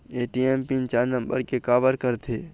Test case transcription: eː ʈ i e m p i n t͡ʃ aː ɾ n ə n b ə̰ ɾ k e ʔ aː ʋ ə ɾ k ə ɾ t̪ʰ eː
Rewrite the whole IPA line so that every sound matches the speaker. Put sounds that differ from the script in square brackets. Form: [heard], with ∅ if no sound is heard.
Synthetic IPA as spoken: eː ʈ i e m p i n t͡ʃ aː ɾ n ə [m] b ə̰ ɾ k e [k] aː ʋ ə ɾ k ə ɾ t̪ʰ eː